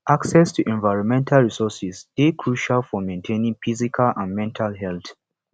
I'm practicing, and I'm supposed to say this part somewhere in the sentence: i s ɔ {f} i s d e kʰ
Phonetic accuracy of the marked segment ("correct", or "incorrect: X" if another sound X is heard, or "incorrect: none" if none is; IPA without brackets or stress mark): incorrect: s